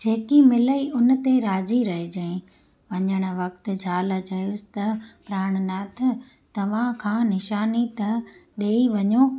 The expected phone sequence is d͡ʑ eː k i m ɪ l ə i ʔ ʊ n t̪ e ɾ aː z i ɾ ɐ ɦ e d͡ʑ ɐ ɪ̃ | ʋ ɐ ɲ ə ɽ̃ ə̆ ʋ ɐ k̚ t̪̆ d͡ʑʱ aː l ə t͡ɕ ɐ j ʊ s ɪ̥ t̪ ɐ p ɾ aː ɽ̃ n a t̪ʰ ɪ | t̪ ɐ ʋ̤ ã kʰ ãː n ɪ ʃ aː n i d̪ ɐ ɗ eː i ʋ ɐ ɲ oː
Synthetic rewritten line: d͡ʑ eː k i m ɪ l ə i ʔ ʊ n t̪ e ɾ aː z i ɾ ɐ ɦ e d͡ʑ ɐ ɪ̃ | ʋ ɐ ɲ ə ɽ̃ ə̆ ʋ ɐ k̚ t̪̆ d͡ʑʱ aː l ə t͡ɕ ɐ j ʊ s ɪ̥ t̪ ɐ p ɾ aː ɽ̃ n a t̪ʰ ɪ | t̪ ɐ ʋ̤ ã kʰ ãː n ɪ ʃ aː n i t̪ ɐ ɗ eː i ʋ ɐ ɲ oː